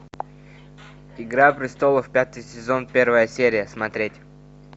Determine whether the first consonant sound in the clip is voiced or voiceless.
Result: voiced